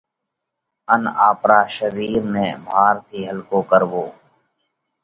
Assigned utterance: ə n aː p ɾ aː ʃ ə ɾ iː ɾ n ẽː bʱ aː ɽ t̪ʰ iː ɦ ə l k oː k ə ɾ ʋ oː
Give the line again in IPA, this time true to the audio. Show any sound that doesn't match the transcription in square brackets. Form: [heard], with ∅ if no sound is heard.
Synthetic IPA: ə n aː p ɾ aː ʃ ə ɾ iː ɾ n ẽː bʱ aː [ɾ] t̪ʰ iː ɦ ə l k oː k ə ɾ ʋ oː

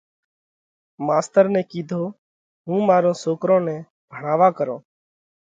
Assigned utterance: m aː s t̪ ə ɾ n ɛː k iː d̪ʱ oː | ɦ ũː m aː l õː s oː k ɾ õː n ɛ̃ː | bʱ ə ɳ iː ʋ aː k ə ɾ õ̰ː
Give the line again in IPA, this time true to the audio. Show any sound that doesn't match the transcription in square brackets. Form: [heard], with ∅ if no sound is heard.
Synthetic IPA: m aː s t̪ ə ɾ n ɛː k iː d̪ʱ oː | ɦ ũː m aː [ɾ] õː s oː k ɾ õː n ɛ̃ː | bʱ ə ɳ [aː] ʋ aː k ə ɾ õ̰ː

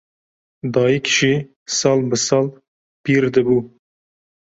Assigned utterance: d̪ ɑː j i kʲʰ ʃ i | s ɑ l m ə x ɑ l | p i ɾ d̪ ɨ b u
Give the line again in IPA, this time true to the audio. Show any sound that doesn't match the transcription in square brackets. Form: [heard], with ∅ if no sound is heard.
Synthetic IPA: d̪ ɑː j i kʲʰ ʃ i | s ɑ l [b] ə [s] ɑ l | p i ɾ d̪ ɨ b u

